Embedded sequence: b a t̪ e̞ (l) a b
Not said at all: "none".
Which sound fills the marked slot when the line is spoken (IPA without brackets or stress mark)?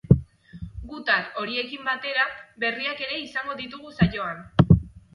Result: ɾ